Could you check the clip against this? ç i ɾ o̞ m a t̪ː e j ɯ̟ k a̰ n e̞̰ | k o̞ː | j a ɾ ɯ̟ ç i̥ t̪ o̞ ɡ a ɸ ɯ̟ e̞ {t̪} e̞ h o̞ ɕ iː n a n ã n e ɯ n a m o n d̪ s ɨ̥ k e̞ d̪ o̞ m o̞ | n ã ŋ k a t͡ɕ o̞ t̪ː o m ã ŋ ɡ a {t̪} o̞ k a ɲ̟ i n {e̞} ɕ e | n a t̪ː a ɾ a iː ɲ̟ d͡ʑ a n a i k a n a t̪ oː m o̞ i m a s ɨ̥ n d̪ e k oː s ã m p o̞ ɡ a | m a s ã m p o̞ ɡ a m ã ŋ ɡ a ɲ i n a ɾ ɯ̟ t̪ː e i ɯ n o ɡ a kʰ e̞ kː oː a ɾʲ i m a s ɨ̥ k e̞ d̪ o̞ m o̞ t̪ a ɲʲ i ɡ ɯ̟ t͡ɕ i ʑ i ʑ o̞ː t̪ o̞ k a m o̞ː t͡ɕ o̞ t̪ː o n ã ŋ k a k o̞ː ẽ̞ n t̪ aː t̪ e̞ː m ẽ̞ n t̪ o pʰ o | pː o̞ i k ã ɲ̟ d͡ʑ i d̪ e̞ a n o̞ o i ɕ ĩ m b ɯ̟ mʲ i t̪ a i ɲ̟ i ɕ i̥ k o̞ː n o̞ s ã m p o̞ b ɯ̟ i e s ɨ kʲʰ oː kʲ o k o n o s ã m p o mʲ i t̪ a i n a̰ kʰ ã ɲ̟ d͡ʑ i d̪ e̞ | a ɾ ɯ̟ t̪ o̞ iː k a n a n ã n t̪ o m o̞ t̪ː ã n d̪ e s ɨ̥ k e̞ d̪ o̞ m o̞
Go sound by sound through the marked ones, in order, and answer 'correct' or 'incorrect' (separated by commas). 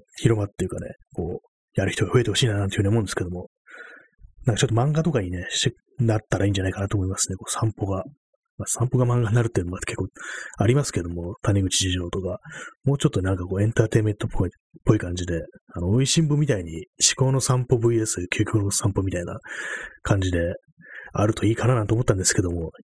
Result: correct, correct, correct